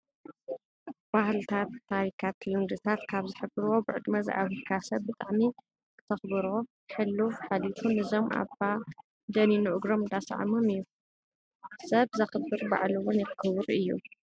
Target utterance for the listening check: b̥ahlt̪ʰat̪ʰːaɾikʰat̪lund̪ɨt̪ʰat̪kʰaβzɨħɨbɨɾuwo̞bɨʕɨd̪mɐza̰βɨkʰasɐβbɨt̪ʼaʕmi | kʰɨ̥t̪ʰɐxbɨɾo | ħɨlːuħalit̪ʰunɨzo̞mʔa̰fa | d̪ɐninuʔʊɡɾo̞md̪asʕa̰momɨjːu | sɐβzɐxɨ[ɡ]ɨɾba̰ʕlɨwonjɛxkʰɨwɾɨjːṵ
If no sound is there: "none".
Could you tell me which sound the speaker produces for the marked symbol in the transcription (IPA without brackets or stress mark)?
b